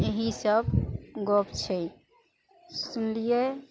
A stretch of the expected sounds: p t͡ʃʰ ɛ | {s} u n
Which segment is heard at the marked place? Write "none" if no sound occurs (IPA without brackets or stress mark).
s